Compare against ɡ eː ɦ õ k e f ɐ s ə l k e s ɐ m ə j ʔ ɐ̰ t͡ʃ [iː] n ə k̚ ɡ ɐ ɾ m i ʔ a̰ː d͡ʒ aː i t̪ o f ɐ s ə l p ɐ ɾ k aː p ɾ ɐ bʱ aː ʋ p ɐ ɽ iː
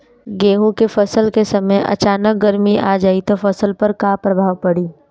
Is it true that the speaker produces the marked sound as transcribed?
no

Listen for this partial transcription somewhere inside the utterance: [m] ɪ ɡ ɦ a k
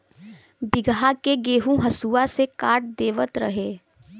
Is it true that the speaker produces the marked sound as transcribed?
no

